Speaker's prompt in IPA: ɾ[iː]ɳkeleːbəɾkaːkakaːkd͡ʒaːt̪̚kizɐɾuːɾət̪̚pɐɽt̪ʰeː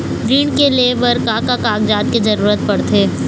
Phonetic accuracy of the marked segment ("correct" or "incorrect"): correct